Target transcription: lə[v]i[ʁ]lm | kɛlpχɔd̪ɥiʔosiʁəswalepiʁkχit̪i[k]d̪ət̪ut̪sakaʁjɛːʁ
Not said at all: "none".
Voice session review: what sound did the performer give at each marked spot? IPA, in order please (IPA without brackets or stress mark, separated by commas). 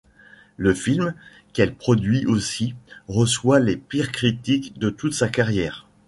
f, none, k